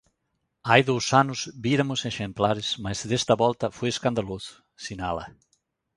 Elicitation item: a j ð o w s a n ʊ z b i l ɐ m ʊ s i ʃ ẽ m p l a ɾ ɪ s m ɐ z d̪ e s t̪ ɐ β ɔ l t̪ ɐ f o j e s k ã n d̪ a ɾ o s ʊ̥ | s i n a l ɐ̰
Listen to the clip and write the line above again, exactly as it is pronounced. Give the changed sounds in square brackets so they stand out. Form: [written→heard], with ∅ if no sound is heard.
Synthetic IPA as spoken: a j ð o w s a n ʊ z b i [l→ɾ] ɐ m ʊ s [i→e] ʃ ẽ m p l a ɾ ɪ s m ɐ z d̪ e s t̪ ɐ β ɔ l t̪ ɐ f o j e s k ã n d̪ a [ɾ→l] o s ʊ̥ | s i n a l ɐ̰